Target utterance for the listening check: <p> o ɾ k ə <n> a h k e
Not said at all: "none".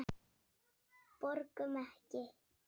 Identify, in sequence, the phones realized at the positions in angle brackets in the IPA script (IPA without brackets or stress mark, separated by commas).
p, m